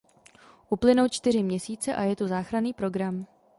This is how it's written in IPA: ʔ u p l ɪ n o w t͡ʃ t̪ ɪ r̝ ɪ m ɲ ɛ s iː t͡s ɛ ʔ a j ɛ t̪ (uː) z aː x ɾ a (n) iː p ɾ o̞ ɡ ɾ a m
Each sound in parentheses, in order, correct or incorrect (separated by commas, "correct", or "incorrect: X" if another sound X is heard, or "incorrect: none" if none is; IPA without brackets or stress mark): incorrect: u, correct